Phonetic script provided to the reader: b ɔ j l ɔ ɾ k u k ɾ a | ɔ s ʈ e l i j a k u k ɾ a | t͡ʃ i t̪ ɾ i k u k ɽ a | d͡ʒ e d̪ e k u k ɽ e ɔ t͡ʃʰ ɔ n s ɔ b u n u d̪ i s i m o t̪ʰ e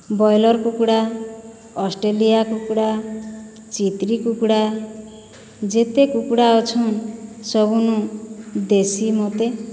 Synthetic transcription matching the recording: b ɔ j l ɔ ɾ k u k ɽ a | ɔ s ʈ e l i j a k u k ɽ a | t͡ʃ i t̪ ɾ i k u k ɽ a | d͡ʒ e t̪ e k u k ɽ a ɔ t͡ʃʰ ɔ n s ɔ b u n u d̪ e s i m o t̪ e